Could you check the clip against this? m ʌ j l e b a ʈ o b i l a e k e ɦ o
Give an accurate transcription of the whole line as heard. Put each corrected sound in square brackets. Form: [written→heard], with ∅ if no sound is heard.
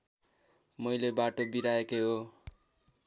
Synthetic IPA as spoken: m ʌ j l e b a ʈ o b i [l→ɾ] a e k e ɦ o